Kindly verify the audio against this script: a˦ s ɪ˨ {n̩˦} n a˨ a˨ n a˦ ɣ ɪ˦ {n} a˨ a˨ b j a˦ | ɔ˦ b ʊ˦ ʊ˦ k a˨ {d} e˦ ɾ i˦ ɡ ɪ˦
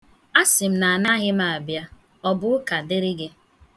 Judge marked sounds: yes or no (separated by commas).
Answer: no, no, yes